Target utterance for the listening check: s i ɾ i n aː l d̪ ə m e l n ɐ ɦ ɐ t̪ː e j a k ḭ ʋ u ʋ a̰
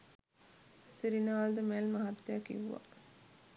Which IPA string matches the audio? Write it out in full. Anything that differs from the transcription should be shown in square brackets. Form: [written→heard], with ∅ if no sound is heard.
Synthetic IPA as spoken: s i ɾ i n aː l d̪ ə m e l [n→m] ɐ ɦ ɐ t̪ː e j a k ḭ ʋ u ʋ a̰

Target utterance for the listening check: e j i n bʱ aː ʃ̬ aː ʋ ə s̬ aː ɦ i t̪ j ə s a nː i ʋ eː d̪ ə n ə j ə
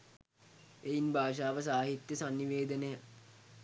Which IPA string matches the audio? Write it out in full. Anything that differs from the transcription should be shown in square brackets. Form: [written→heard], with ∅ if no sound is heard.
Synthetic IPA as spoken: e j i n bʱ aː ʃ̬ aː ʋ ə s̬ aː ɦ i t̪ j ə s a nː i ʋ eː d̪ ə n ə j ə

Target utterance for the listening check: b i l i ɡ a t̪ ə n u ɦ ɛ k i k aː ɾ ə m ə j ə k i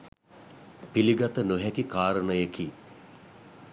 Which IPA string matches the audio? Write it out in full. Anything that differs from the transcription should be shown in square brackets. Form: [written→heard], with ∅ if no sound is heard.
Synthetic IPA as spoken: [b→p] i l i ɡ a t̪ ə n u ɦ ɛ k i k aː ɾ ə [m→n] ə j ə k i

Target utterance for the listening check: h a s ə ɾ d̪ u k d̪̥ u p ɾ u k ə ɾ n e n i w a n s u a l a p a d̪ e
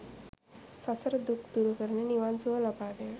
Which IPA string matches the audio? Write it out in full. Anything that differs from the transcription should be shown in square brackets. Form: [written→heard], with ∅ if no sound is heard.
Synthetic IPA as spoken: [h→s] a s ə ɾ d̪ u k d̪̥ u [p→∅] ɾ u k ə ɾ n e n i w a n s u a l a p a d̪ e

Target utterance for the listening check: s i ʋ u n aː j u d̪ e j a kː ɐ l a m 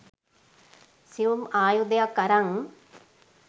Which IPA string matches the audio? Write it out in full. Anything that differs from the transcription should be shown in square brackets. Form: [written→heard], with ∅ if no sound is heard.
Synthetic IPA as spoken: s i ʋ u [n→m] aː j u d̪ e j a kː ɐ [l→ɾ] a [m→ŋ]

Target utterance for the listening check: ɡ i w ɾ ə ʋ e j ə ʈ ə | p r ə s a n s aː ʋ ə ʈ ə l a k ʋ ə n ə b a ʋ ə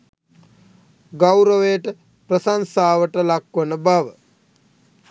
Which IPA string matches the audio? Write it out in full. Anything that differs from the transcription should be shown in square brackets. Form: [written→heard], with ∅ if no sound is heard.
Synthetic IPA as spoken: ɡ [i→a] w ɾ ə ʋ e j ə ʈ ə | p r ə s a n s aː ʋ ə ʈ ə l a k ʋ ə n ə b a ʋ ə

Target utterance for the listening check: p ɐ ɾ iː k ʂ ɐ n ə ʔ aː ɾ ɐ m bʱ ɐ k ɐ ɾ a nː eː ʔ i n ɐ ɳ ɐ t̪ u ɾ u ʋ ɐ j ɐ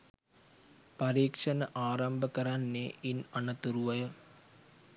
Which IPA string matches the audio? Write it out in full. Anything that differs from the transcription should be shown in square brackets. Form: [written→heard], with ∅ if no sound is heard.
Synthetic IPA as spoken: p ɐ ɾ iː k ʂ ɐ n [ə→ɐ] ʔ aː ɾ ɐ m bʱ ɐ k ɐ ɾ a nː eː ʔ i n ɐ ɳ ɐ t̪ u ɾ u ʋ ɐ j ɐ

